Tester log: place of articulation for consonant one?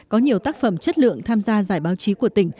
velar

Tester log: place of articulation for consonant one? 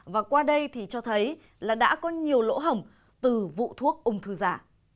labial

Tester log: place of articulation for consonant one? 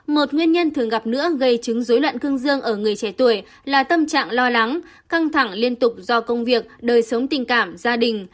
labial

